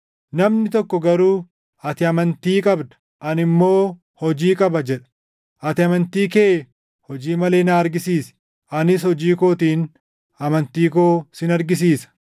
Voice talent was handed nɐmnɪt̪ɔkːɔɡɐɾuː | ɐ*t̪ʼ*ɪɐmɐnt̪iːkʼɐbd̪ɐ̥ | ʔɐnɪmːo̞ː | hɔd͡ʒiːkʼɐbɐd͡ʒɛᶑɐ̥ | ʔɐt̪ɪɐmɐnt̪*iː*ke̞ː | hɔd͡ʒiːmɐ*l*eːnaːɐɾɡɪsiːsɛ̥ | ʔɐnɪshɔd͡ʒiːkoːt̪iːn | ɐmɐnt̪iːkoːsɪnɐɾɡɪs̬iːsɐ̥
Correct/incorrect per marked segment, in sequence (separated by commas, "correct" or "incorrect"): incorrect, correct, correct